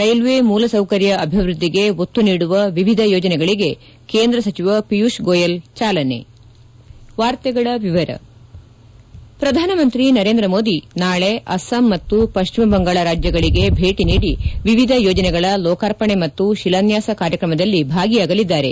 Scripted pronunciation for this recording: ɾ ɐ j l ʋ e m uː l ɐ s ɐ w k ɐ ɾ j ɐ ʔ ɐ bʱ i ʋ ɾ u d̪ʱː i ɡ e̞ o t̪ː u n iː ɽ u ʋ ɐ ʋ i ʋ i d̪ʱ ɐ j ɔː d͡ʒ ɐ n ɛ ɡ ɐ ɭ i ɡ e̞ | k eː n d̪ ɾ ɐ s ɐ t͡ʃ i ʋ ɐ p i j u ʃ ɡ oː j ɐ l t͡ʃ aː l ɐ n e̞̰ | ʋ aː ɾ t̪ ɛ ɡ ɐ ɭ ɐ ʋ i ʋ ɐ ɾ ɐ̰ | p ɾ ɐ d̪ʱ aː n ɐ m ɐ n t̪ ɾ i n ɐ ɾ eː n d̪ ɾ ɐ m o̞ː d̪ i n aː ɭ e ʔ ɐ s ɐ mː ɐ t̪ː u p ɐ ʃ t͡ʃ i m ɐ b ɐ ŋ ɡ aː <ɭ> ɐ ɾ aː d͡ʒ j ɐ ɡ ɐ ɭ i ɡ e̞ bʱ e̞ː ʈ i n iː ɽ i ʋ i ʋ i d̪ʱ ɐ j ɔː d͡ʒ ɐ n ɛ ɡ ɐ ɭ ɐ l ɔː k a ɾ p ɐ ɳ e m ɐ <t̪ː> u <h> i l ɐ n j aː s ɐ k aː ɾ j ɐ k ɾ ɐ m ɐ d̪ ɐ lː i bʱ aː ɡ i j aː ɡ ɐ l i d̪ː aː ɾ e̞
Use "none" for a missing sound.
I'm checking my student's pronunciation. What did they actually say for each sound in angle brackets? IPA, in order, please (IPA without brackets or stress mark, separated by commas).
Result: ɭ, t̪ː, ʃ